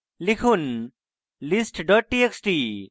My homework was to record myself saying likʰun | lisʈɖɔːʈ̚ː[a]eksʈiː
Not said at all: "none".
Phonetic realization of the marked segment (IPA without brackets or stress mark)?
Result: i